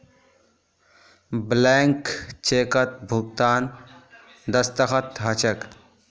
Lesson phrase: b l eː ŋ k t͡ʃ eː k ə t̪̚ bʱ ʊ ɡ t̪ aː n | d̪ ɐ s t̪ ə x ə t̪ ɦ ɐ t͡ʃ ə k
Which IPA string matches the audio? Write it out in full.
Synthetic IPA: b l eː ŋ k t͡ʃ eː k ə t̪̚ bʱ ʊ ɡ t̪ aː n | d̪ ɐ s t̪ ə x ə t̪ ɦ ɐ t͡ʃ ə k